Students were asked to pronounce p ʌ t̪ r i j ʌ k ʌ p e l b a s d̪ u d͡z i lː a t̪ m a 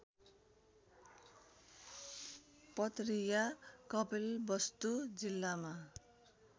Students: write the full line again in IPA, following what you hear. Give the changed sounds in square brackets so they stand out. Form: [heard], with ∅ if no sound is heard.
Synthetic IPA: p ʌ t̪ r i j [a] k ʌ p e l b [ʌ] s [t̪] u d͡z i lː a [∅] m a